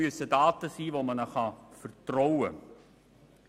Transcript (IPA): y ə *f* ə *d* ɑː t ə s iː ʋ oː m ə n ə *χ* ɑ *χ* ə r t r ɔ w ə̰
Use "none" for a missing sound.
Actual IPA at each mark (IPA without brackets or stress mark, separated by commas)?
s, d, χ, f